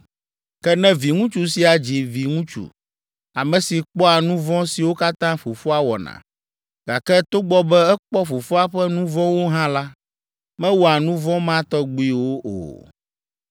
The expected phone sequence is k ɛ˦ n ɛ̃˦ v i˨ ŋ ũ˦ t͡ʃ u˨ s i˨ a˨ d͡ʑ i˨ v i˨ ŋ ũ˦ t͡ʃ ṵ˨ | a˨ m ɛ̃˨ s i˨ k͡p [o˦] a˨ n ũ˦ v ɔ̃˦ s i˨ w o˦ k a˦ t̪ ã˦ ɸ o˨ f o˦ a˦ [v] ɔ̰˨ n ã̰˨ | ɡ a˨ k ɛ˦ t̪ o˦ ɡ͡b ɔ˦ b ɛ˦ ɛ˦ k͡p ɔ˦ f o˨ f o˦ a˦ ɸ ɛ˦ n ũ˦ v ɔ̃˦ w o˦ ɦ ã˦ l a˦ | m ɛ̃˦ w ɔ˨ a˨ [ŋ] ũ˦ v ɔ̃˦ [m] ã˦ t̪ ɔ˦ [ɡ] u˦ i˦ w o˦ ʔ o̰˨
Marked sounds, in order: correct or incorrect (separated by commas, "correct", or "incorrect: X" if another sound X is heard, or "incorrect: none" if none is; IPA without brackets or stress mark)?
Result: incorrect: ɔ˦, incorrect: w, incorrect: n, correct, incorrect: ɡ͡b